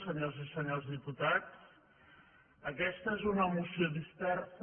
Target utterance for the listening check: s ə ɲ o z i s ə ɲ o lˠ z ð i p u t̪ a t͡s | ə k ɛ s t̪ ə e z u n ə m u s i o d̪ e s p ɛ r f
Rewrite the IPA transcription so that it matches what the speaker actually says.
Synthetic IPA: s ə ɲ o z i s ə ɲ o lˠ z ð i p u t̪ a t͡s | ə k ɛ s t̪ ə e z u n ə m u s i o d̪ i s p ɛ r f